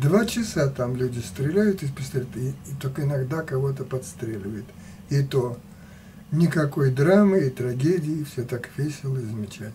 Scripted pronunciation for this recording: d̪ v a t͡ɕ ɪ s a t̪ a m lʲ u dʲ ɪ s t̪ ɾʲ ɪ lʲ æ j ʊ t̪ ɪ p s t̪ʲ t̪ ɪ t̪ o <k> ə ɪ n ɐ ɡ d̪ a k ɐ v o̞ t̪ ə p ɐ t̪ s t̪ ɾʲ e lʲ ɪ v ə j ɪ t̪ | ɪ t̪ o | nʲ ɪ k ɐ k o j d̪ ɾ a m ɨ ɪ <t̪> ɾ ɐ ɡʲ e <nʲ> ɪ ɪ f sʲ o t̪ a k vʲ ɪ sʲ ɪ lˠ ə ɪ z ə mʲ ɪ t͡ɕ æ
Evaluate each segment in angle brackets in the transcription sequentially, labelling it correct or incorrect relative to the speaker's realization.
correct, correct, incorrect

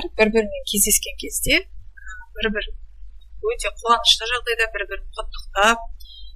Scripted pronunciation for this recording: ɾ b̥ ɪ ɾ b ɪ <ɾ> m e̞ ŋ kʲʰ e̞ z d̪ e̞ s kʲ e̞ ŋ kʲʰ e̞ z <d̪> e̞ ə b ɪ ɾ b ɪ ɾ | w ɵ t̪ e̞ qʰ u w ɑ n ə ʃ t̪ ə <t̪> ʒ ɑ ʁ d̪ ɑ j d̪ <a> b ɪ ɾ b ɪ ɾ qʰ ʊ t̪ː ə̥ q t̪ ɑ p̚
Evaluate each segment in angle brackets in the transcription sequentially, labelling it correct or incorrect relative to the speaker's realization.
correct, correct, incorrect, incorrect

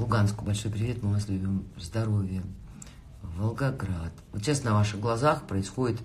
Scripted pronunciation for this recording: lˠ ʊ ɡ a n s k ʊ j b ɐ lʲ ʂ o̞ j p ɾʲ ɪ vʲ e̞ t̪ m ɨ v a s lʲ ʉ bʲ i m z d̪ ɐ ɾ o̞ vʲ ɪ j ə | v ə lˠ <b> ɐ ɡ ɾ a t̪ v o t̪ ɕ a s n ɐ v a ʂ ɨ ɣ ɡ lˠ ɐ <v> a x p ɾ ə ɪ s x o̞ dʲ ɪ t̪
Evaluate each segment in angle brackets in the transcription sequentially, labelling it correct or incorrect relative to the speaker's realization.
incorrect, incorrect

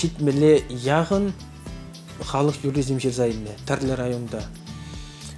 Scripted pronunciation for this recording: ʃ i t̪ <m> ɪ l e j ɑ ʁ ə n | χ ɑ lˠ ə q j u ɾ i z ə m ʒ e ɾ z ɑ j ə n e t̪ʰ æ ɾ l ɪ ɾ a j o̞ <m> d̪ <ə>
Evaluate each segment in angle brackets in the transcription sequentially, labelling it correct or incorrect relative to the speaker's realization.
correct, incorrect, incorrect

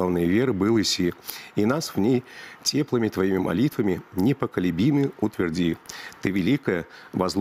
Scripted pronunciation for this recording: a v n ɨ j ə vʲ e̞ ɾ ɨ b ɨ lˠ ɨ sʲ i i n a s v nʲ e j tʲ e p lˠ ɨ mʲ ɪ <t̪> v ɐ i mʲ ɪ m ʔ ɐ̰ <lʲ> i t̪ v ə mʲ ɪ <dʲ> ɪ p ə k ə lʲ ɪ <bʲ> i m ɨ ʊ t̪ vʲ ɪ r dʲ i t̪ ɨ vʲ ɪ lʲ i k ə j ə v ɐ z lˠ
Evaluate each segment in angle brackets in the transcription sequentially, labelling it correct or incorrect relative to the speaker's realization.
correct, correct, incorrect, correct

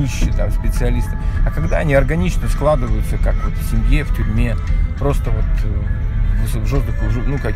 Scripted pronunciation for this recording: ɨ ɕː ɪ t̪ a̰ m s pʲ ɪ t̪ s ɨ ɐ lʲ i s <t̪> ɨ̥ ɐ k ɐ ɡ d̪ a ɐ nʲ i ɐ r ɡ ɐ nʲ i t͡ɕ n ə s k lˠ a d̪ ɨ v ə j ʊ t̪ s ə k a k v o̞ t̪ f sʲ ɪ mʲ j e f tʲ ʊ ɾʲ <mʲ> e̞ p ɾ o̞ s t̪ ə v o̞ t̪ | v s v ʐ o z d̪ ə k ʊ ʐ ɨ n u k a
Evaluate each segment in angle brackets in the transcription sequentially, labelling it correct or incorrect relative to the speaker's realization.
correct, correct

